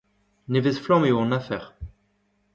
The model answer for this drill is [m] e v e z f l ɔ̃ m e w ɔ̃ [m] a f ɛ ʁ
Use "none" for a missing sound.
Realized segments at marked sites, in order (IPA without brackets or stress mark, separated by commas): n, n